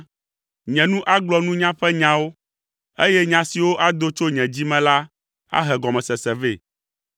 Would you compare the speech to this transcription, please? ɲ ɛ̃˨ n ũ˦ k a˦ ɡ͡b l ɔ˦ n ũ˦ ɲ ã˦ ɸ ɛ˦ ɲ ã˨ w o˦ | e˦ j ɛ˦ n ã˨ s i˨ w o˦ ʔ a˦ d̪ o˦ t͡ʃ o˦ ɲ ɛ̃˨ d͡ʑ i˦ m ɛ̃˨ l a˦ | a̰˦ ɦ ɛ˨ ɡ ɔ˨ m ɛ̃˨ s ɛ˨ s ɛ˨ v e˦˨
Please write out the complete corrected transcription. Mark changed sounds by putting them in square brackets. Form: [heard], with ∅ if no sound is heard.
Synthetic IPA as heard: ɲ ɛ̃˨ n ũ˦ [ʔ] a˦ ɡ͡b l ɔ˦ n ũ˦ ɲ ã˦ ɸ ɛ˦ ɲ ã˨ w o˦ | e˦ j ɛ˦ [ɲ] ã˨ s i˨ w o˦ ʔ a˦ d̪ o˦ t͡ʃ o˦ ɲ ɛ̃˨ d͡ʑ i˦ m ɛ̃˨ l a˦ | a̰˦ ɦ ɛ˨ ɡ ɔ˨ m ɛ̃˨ s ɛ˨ s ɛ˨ v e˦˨